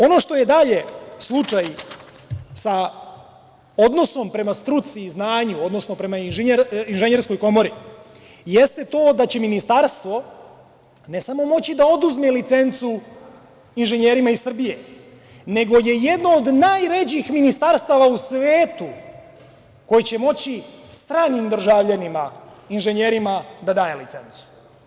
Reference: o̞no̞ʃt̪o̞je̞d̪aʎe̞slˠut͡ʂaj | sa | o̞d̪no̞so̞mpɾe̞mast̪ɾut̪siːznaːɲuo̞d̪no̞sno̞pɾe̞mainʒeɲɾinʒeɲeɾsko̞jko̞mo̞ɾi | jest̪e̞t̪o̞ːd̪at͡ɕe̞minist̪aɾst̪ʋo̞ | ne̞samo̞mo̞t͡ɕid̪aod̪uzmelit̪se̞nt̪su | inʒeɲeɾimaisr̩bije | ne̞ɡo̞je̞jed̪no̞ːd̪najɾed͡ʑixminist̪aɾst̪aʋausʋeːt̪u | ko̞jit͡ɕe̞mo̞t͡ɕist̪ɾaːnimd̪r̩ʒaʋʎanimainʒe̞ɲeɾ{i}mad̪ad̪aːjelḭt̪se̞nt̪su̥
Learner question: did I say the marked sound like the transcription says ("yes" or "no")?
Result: yes